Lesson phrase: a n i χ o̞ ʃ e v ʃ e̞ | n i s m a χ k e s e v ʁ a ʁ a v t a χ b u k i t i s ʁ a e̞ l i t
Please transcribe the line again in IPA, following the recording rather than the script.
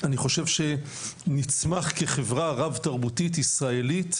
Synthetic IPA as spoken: a n i χ o̞ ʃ e v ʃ e̞ | n i t͡s m a χ k e χ e v ʁ a ʁ a v t a ʁ b u t i t i s ʁ a e̞ l i t